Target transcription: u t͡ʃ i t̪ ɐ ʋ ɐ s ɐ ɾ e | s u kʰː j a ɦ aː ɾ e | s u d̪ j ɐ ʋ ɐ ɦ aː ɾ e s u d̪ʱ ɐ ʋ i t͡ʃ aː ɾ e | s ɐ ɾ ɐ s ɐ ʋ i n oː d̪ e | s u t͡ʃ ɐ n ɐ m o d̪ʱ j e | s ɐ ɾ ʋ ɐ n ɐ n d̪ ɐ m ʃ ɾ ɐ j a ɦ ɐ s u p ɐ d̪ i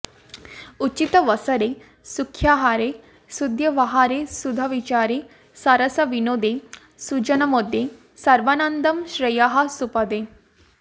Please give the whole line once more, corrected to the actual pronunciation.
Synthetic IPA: u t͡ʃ i t̪ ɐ ʋ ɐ s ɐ ɾ e | s u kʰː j a ɦ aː ɾ e | s u d̪ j ɐ ʋ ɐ ɦ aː ɾ e s u d̪ʱ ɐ ʋ i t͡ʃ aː ɾ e | s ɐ ɾ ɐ s ɐ ʋ i n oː d̪ e | s u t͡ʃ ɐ n ɐ m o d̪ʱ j e | s ɐ ɾ ʋ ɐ n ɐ n d̪ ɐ m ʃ ɾ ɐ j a ɦ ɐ s u p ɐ d̪ e

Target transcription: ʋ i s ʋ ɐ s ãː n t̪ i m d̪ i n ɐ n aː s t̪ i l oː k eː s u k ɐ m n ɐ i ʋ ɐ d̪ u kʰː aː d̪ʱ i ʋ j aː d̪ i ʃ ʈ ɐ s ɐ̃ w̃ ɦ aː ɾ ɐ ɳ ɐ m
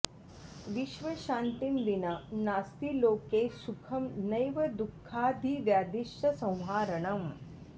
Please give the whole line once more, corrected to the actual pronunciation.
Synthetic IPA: ʋ i ʃ ʋ ɐ ʃ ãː n t̪ i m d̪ i n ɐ n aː s t̪ i l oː k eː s u kʰ ɐ m n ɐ j ʋ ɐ d̪ u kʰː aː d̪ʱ i ʋ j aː d̪ i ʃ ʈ ɐ s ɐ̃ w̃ ɦ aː ɾ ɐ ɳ ɐ m

